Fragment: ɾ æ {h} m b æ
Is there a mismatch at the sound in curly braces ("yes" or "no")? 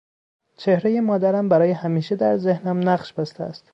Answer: yes